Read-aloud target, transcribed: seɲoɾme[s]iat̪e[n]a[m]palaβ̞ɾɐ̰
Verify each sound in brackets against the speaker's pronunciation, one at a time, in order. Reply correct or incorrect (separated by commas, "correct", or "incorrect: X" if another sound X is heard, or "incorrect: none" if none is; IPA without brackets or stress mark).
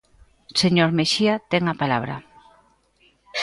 incorrect: ʃ, incorrect: ŋ, incorrect: none